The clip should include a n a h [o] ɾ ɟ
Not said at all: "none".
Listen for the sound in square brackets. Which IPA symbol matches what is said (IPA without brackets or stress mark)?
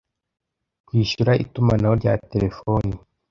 o